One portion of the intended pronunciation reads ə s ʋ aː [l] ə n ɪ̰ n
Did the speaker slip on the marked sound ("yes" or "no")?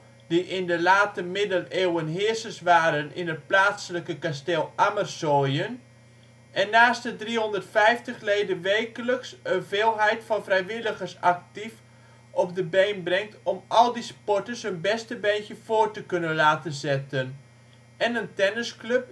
yes